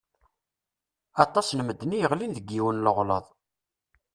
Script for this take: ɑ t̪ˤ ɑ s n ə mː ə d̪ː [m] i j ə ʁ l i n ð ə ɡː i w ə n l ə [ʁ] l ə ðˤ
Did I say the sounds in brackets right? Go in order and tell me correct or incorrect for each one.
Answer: incorrect: n, correct

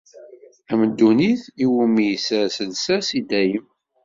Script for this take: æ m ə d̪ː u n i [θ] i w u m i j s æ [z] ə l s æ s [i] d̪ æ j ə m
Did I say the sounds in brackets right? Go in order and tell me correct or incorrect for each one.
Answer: correct, incorrect: s, correct

